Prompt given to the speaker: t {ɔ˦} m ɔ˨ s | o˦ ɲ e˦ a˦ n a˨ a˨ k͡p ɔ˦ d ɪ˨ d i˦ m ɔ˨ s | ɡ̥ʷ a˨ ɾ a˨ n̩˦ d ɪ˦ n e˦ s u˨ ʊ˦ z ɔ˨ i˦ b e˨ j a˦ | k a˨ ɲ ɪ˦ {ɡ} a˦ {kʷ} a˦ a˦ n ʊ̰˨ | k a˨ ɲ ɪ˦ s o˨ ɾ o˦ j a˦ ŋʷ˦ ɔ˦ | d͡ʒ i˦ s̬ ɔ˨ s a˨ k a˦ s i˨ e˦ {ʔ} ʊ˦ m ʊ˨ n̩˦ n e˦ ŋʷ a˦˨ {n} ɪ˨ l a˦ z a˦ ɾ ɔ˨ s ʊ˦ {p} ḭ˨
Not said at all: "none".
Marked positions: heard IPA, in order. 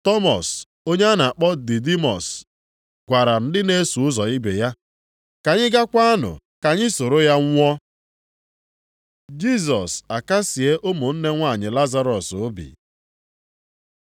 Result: ɔ˦, ɡ, kʷ, ʔ, ɲ, b

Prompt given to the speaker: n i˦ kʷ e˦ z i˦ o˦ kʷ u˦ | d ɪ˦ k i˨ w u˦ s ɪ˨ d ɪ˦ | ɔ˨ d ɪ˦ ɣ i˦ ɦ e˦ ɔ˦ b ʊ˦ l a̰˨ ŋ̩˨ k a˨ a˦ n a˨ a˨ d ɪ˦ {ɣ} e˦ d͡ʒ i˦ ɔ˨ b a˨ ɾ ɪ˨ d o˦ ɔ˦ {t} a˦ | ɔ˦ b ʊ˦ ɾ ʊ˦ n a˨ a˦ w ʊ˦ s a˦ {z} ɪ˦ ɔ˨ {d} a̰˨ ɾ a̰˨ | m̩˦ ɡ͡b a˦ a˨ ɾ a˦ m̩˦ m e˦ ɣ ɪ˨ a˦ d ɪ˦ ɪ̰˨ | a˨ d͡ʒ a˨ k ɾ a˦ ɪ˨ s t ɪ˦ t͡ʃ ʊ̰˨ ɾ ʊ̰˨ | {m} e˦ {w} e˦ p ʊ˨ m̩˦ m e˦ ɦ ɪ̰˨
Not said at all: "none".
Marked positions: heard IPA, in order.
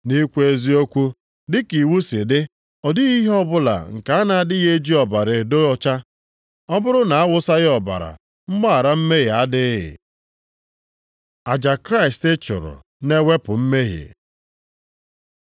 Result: ɣ, t͡ʃ, ɣ, b, n, w

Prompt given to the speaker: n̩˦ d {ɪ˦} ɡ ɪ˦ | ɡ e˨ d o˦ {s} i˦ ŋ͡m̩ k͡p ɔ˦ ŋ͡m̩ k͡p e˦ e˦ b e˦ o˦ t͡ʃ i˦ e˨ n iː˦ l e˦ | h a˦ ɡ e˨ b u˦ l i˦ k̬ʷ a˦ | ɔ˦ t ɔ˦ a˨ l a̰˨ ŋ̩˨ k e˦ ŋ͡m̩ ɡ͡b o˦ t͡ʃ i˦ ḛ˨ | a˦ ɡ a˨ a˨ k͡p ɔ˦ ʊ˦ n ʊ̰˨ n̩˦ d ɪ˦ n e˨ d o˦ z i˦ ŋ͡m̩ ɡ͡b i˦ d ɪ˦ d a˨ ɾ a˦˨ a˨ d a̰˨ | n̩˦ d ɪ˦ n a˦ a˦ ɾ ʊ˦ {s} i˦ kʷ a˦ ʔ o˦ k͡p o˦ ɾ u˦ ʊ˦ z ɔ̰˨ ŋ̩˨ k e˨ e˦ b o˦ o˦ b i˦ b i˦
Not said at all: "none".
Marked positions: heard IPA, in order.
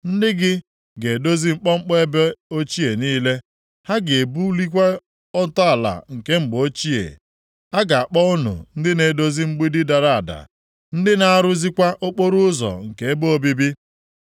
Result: ɪ˦, z, z

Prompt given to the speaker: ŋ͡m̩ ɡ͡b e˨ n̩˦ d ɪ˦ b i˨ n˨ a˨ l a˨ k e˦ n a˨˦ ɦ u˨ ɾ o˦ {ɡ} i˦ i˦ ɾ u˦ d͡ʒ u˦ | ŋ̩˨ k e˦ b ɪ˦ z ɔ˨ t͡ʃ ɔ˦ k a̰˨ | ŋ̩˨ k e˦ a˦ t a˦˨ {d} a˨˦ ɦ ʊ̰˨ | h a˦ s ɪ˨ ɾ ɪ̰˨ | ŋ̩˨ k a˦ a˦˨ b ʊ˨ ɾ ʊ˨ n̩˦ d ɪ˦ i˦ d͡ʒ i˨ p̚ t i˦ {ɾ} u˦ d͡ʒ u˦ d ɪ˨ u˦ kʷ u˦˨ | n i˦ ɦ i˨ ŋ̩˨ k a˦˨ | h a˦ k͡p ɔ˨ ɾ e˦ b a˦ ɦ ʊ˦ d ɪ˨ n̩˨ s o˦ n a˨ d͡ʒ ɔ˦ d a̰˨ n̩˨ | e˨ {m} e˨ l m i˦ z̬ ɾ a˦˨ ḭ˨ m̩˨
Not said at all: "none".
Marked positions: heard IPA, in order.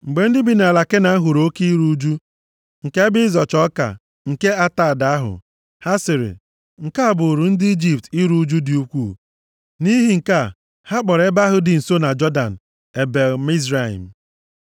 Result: k, d, ɾ, b

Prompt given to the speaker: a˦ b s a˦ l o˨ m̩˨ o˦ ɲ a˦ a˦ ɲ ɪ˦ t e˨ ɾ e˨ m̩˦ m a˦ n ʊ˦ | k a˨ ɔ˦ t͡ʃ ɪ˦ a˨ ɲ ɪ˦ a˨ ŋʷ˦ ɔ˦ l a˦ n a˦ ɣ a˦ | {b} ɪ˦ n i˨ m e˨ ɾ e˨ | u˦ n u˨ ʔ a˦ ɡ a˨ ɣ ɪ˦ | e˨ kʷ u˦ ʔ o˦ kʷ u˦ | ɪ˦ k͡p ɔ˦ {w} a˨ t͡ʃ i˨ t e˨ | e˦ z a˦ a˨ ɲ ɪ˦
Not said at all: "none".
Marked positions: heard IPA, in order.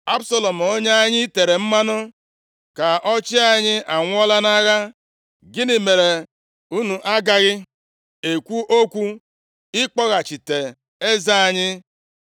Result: ɡ, ɣ

